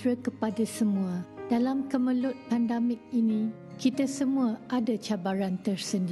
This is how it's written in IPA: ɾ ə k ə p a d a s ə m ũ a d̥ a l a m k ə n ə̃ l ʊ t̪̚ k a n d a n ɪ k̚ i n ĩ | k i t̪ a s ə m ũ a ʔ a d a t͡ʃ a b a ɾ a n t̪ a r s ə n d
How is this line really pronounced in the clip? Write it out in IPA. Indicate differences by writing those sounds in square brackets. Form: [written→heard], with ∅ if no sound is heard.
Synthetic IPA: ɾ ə k ə p a d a s ə m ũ a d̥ a l a m k ə [n→m] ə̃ l ʊ t̪̚ [k→p] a n d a [n→m] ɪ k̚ i n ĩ | k i t̪ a s ə m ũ a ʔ a d a t͡ʃ a b a ɾ a n t̪ [a→ə] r s ə n d